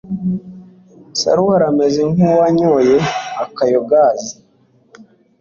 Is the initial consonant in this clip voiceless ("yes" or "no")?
yes